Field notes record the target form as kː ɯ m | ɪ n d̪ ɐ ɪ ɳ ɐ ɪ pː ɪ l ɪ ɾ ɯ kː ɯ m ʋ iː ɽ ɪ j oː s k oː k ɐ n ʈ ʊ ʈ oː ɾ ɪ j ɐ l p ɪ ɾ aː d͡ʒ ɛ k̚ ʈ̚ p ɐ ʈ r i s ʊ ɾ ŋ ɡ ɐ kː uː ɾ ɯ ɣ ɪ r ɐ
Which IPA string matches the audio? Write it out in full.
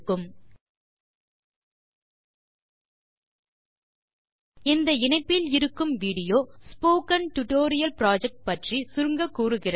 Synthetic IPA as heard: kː ɯ m | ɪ n d̪ ɐ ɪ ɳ ɐ ɪ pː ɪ l ɪ ɾ ɯ kː ɯ m ʋ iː ɽ ɪ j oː s p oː k ɐ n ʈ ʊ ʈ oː ɾ ɪ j ɐ l p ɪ ɾ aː d͡ʒ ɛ k̚ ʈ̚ p ɐ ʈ r i s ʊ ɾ ŋ ɡ ɐ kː uː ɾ ɯ ɣ ɪ r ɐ